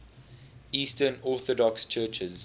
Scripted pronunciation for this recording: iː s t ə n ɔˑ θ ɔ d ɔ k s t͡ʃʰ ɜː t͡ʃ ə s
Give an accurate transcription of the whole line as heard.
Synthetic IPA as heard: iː s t ə n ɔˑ θ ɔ d ɔ k s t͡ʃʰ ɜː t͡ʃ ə z